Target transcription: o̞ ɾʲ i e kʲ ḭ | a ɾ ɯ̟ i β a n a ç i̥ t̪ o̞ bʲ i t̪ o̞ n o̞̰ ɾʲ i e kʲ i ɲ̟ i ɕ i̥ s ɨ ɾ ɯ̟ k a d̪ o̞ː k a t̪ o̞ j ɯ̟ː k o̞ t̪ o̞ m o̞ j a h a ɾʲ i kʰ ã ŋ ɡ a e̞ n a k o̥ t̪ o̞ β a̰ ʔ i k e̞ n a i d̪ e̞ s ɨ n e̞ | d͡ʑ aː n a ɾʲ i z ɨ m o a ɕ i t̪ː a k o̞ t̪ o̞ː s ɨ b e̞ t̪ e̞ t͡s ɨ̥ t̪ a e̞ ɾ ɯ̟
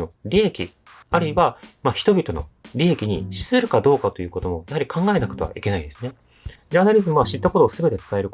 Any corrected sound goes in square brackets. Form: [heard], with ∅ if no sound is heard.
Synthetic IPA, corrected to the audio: o̞ ɾʲ i e kʲ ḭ | a ɾ ɯ̟ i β a [m] a ç i̥ t̪ o̞ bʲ i t̪ o̞ n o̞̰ ɾʲ i e kʲ i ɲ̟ i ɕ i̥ s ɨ ɾ ɯ̟ k a d̪ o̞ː k a t̪ o̞ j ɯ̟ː k o̞ t̪ o̞ m o̞ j a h a ɾʲ i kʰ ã ŋ ɡ a e̞ n a k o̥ t̪ o̞ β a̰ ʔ i k e̞ n a i d̪ e̞ s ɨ n e̞ | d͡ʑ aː n a ɾʲ i z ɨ m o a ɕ i t̪ː a k o̞ t̪ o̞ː s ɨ b e̞ t̪ e̞ t͡s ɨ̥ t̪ a e̞ ɾ ɯ̟